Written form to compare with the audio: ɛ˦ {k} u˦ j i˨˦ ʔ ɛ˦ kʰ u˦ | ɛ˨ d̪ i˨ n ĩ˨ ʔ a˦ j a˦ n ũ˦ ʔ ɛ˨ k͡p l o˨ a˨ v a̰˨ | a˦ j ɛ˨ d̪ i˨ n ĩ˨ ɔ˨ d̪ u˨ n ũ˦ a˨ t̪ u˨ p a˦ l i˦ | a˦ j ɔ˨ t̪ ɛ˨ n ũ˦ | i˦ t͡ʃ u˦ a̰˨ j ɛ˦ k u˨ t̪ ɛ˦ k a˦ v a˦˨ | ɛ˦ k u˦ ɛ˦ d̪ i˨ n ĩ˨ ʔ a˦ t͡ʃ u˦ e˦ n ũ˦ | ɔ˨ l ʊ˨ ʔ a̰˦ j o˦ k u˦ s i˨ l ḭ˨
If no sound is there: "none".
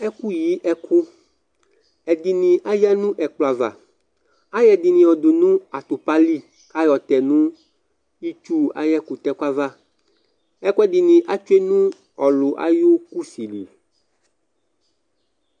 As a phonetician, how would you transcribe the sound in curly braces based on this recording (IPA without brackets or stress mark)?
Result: k